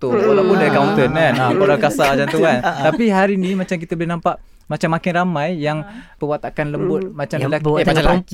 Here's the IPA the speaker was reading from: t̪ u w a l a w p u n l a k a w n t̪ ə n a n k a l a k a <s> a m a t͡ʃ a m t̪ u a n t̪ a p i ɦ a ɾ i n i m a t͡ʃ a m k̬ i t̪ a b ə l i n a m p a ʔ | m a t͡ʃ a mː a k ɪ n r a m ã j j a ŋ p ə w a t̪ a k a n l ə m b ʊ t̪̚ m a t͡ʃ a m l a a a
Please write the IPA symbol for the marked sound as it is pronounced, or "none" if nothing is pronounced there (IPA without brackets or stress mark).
s